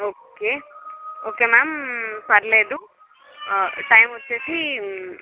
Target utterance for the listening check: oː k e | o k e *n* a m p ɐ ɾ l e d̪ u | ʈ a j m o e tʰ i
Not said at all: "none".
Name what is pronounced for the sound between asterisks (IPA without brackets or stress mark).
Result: m